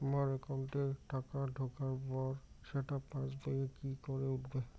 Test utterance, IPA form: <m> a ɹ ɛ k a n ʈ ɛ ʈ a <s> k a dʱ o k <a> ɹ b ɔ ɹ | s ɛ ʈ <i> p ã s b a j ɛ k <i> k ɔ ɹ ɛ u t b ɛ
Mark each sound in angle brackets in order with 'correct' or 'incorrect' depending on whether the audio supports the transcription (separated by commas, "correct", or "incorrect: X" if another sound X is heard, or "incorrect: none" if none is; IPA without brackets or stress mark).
correct, incorrect: none, correct, incorrect: a, correct